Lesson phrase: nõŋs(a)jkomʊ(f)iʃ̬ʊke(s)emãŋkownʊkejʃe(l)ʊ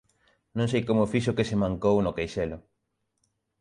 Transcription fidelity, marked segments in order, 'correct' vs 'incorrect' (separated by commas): incorrect, correct, correct, correct